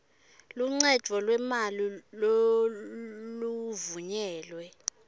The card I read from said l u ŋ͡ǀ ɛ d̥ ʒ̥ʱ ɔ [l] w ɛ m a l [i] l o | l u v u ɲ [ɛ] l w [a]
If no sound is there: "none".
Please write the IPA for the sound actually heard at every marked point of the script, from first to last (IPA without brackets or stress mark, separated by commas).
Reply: l, i, ɛː, ɛ